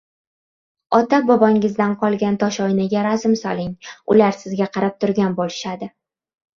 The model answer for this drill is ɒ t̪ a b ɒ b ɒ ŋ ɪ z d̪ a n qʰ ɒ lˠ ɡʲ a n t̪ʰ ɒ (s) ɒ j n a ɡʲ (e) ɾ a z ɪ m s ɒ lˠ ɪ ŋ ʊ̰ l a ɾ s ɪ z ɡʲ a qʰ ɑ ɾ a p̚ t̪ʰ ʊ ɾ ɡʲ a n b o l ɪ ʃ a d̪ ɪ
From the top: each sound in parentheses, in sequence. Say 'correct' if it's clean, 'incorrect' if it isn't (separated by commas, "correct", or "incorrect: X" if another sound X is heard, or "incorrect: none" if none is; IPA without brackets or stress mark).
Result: incorrect: ʃ, incorrect: a